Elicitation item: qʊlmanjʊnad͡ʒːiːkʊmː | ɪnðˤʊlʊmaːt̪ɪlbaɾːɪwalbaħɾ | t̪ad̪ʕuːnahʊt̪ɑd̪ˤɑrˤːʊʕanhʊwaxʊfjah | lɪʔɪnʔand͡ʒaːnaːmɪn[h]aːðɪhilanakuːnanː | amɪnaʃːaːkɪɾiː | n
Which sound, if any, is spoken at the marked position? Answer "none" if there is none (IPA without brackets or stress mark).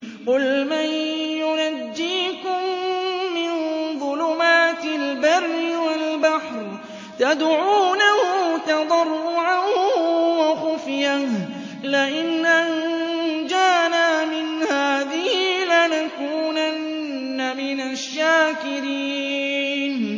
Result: h